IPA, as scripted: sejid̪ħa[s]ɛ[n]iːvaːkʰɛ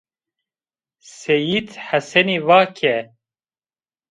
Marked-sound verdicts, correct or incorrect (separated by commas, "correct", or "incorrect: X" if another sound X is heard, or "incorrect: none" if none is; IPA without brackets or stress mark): correct, correct